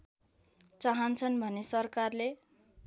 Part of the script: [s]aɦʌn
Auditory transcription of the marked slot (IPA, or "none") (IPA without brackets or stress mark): t͡s